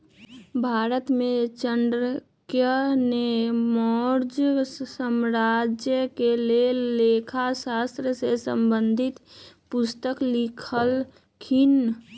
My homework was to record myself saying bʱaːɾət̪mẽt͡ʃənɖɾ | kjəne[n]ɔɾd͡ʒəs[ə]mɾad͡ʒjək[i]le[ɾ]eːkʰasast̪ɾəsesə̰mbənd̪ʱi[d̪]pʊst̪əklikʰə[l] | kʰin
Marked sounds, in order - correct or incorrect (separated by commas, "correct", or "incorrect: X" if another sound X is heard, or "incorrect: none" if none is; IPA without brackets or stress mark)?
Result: incorrect: m, correct, incorrect: e, incorrect: l, incorrect: t̪, correct